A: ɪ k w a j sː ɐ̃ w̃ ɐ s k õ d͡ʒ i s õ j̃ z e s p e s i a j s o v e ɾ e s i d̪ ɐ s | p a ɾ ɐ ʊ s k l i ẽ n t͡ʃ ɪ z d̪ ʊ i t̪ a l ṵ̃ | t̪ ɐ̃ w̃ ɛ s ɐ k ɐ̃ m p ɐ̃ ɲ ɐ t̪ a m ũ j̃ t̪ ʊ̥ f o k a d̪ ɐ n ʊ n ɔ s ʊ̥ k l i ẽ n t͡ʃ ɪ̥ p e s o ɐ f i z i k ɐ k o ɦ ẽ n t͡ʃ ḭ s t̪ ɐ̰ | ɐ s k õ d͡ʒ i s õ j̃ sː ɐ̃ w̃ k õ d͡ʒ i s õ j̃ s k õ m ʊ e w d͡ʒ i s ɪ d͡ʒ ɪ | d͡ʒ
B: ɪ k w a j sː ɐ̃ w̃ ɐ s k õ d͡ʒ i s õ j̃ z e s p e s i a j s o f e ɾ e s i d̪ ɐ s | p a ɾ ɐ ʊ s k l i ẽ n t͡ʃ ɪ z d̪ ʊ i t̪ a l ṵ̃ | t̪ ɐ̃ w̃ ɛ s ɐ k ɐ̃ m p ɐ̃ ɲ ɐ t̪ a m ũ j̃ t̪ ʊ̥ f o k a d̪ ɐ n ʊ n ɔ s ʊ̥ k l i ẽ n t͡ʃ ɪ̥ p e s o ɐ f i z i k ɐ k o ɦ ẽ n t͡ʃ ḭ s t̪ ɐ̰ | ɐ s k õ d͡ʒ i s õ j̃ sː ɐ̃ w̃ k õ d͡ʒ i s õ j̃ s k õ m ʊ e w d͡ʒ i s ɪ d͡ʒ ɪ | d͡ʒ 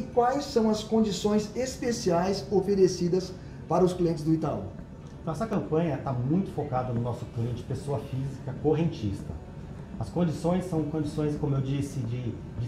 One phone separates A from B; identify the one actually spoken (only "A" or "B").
B